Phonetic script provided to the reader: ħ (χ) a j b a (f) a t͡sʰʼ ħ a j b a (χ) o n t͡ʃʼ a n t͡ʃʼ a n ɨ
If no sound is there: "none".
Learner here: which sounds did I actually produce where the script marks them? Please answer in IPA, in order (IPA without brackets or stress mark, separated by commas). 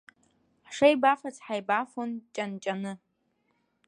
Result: ʂ, f, f